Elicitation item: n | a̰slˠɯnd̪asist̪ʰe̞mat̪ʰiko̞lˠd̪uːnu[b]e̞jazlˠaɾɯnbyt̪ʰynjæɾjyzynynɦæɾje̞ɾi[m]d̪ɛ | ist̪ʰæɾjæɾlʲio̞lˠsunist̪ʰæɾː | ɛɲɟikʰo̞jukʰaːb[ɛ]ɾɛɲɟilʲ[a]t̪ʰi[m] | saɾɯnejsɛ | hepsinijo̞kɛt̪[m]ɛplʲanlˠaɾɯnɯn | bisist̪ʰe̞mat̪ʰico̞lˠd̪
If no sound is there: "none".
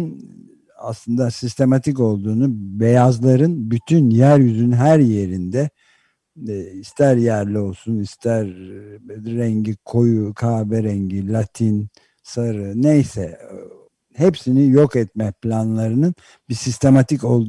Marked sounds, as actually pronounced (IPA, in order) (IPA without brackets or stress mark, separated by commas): b, n, ɛ, a, n, m